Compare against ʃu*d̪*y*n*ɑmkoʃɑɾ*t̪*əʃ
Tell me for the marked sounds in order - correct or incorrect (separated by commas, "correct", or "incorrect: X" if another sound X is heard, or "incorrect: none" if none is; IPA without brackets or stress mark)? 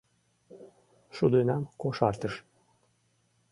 correct, correct, correct